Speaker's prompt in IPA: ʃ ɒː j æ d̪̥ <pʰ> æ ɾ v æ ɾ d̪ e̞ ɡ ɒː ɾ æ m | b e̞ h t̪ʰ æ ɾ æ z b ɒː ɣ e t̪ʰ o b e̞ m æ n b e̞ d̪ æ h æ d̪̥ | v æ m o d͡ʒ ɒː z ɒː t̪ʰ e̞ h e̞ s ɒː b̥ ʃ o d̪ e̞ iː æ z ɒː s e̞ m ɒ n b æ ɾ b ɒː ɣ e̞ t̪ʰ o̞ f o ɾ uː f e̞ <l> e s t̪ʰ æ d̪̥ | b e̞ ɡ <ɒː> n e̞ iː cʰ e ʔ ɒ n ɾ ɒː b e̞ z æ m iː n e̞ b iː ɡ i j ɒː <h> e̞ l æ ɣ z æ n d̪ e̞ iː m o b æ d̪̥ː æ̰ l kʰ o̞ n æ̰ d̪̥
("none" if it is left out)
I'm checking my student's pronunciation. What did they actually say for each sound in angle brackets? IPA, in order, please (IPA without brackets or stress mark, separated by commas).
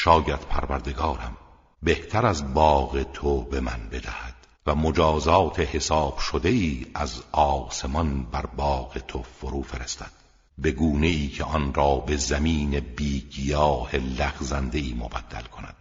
pʰ, ɾ, uː, h